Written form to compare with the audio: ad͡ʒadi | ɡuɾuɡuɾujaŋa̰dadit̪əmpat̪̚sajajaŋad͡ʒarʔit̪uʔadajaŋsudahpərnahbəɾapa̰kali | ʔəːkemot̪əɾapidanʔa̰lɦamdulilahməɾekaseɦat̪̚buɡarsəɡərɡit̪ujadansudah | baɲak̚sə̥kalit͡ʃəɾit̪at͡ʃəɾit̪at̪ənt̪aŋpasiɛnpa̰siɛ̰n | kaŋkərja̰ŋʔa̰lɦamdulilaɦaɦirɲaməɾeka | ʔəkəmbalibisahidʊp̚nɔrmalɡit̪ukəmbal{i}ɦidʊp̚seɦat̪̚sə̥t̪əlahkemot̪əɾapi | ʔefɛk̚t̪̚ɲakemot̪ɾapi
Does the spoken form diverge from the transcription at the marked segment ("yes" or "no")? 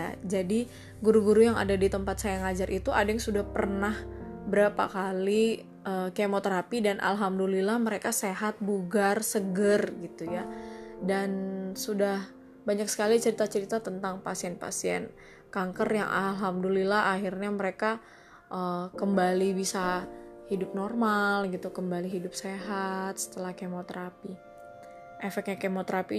no